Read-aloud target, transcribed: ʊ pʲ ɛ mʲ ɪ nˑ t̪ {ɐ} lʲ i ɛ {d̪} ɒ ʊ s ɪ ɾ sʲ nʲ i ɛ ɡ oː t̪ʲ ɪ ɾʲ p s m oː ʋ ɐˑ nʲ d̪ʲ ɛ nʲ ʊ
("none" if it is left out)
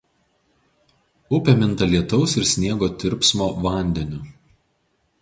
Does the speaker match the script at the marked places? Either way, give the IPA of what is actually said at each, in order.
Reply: ɐ, t̪

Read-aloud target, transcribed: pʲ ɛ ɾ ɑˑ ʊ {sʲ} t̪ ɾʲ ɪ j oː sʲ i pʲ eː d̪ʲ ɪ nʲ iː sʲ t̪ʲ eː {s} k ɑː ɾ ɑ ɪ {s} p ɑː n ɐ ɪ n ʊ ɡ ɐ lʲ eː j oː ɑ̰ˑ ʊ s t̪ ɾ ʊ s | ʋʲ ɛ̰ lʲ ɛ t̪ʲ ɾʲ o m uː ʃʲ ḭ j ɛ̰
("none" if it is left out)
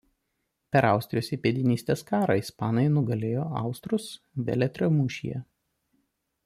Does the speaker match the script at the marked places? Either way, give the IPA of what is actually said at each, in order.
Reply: sʲ, s, s

